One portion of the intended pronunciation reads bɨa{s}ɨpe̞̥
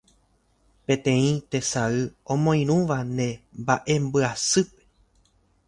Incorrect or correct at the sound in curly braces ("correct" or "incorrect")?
correct